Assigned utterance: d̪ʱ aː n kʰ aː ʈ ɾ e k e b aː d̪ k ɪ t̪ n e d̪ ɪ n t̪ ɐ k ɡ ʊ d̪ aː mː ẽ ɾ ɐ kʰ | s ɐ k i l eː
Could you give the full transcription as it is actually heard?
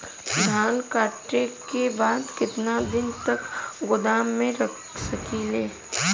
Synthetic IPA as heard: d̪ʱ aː n k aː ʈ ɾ e k e b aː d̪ k ɪ t̪ n a d̪ ɪ n t̪ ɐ k ɡ ʊ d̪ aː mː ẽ ɾ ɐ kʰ | s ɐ k i l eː